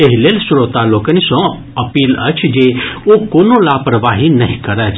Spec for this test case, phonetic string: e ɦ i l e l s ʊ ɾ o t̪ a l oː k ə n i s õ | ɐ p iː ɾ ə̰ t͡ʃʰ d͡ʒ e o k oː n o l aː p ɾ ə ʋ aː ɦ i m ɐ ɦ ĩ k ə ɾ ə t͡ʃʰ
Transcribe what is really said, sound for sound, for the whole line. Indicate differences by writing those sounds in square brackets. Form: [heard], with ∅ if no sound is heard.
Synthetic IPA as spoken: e ɦ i l e l s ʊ ɾ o t̪ a l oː k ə n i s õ | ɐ p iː [l] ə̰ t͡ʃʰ d͡ʒ e o k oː n o l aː p ɾ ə ʋ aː ɦ i [n] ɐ ɦ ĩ k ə ɾ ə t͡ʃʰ